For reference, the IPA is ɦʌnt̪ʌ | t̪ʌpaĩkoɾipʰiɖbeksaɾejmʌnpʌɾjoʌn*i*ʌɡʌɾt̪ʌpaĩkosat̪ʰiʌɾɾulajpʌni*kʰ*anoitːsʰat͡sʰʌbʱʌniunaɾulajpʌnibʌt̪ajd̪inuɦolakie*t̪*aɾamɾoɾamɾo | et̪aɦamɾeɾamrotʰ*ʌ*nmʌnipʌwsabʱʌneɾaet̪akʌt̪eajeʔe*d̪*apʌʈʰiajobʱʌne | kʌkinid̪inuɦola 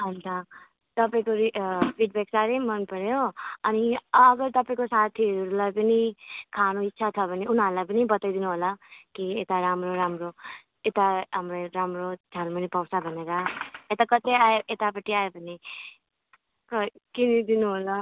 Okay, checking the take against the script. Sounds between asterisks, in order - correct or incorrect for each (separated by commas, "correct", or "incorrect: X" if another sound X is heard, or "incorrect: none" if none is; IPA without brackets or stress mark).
correct, correct, correct, incorrect: a, incorrect: t̪